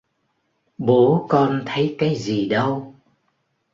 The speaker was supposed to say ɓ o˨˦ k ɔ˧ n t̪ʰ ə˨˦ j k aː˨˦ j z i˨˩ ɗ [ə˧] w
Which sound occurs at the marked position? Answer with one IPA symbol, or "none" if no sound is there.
ə˧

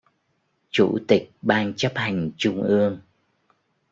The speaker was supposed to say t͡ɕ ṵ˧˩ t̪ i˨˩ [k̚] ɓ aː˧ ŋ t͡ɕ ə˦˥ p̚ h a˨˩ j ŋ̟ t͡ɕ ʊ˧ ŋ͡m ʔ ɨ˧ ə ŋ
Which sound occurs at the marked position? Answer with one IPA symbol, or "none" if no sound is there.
k̚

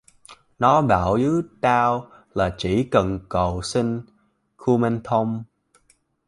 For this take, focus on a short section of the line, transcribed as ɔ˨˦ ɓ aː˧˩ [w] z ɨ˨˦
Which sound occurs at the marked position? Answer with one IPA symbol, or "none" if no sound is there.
w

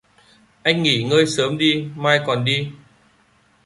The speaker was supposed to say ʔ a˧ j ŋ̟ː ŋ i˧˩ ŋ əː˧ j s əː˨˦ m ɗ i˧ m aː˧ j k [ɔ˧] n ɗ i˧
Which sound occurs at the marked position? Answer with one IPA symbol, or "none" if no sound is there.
ɔ˨˩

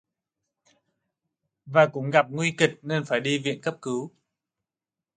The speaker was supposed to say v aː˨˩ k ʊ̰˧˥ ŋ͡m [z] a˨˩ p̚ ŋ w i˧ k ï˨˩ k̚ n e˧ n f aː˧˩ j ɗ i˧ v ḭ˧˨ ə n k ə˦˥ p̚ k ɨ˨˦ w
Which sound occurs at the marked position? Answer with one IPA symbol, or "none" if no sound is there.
ɣ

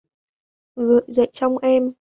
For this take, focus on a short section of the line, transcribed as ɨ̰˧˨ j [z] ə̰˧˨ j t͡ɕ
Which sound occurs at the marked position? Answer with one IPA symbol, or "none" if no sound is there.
z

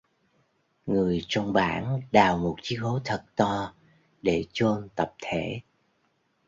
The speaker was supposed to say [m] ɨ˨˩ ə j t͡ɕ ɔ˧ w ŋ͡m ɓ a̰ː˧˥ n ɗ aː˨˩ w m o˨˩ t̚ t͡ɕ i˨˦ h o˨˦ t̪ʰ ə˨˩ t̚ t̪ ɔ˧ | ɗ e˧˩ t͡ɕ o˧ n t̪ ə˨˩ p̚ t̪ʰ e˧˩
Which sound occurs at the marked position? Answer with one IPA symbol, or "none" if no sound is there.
ŋ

